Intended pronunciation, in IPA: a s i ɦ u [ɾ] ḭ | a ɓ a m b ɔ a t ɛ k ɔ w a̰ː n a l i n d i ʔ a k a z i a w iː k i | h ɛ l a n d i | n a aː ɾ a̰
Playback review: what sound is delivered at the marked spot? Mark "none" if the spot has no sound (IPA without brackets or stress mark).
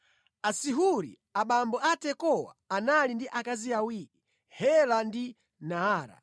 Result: ɾ